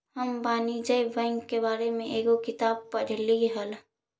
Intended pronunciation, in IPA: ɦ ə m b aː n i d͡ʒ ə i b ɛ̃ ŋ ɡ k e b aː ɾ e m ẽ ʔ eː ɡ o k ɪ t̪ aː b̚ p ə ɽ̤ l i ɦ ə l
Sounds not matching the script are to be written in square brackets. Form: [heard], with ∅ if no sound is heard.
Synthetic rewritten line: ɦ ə m b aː n i d͡ʒ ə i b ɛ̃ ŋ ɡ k e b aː ɾ e m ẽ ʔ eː ɡ o k ɪ t̪ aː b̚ p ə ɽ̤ l i ɦ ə l